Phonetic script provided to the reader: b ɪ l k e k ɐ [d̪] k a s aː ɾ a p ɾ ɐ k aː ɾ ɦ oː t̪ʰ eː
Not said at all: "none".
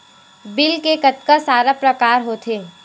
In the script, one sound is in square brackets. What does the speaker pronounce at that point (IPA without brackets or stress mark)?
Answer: t̪